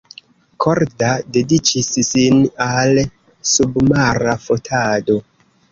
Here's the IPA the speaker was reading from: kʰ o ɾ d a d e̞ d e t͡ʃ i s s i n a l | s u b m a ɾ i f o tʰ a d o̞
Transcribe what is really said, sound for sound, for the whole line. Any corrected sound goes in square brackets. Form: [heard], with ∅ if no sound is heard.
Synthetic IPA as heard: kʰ o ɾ d a d e̞ d [i] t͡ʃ i s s i n a l | s u b m a ɾ [a] f o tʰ a d o̞